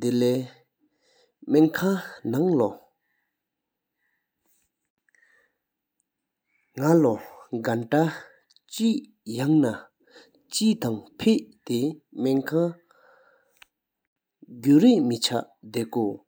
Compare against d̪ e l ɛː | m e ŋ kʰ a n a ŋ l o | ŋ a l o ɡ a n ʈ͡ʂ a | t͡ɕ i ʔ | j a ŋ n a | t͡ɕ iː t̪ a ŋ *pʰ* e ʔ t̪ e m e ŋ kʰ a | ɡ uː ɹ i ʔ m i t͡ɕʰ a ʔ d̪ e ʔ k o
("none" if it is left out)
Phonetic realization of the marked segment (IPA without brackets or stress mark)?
pʰ